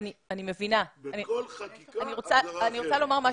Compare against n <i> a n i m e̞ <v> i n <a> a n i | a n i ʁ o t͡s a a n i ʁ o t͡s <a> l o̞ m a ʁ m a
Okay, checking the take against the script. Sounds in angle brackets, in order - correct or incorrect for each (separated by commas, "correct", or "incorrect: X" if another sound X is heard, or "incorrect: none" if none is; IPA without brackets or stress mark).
correct, correct, correct, correct